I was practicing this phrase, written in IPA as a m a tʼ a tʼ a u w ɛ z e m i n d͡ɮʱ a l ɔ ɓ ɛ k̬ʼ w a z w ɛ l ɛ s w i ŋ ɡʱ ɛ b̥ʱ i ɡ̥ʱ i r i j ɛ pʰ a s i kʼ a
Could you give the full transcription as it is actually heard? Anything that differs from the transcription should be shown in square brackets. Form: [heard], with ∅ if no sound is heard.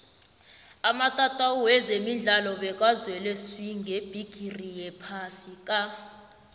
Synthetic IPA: a m a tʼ a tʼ a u w ɛ z e m i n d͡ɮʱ a l ɔ ɓ ɛ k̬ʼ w a z w ɛ l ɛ s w i ŋ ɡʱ [e] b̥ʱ i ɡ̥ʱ i r i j ɛ pʰ a s i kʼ a